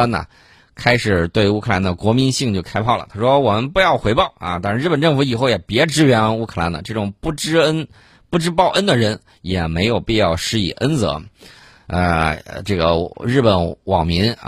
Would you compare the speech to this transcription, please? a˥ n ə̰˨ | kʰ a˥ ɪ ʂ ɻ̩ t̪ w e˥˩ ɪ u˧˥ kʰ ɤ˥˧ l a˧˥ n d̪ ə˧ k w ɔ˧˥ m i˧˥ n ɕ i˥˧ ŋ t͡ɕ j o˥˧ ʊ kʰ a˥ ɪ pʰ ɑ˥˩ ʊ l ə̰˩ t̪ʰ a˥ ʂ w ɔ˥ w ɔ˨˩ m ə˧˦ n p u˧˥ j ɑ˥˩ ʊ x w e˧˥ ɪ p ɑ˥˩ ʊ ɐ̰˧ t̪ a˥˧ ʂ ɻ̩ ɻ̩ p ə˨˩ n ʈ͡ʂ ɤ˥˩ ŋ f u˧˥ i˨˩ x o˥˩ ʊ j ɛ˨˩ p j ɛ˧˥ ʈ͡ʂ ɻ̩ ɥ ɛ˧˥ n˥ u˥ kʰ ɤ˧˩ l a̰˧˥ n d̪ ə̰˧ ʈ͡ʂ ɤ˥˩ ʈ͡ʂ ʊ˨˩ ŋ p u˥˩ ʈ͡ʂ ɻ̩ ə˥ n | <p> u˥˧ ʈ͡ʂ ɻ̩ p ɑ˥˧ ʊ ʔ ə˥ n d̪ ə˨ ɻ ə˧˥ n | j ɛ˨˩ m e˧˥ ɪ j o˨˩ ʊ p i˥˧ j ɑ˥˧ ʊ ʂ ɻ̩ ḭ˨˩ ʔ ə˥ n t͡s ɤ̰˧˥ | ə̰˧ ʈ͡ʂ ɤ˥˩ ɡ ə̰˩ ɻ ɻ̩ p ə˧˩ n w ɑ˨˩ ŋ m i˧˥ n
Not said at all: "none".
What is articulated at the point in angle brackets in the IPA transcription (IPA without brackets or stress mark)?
p